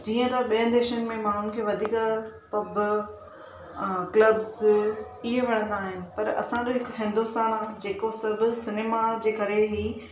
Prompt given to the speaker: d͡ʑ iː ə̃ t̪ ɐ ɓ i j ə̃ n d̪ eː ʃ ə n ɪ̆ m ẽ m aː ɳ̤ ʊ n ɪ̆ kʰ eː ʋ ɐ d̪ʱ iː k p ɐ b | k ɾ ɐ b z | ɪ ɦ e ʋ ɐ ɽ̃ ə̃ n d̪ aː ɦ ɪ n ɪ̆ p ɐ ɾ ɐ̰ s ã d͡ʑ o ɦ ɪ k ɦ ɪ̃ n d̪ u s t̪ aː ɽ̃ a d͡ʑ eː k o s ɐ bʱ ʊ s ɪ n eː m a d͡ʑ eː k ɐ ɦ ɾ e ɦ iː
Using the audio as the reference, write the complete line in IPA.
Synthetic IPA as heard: d͡ʑ iː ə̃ t̪ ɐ ɓ i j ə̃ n d̪ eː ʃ ə n ɪ̆ m ẽ m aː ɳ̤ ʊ n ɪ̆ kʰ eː ʋ ɐ d̪ʱ iː k p ɐ b | k l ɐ b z | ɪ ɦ e ʋ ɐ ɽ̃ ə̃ n d̪ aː ɦ ɪ n ɪ̆ p ɐ ɾ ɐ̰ s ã d͡ʑ o ɦ ɪ k ɦ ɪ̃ n d̪ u s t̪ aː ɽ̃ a d͡ʑ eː k o s ɐ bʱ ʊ s ɪ n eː m a d͡ʑ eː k ɐ ɾ e ɦ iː